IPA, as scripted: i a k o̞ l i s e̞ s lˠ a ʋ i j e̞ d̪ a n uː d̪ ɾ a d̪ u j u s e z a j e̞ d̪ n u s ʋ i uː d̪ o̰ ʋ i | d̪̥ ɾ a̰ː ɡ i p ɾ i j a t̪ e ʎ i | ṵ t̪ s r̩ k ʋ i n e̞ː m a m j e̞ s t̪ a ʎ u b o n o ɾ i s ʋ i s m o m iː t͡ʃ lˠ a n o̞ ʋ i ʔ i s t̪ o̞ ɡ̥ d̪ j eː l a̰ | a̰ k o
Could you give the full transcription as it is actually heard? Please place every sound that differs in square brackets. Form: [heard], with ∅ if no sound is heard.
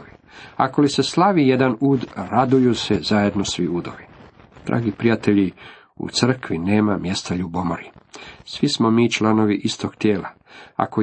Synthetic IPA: i a k o̞ l i s e̞ s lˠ a ʋ i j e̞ d̪ a n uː d̪ ɾ a d̪ u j u s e z a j e̞ d̪ n [o] s ʋ i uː d̪ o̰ ʋ i | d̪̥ ɾ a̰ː ɡ i p ɾ i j a t̪ e ʎ i | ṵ t̪ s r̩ k ʋ i n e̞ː m a m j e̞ s t̪ a ʎ u b o [m] o ɾ i s ʋ i s m o m iː t͡ʃ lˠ a n o̞ ʋ i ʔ i s t̪ o̞ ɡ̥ [t̪] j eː l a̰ | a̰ k o